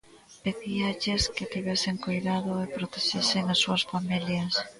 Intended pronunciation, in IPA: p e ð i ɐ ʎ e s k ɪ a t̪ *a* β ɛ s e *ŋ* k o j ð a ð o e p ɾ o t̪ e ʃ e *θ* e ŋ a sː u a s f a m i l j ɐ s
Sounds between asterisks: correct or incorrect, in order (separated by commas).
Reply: incorrect, correct, incorrect